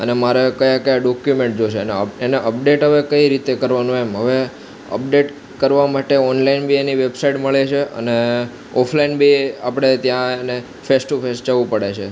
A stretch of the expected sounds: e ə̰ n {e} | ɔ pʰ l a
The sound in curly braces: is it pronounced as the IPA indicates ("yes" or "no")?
yes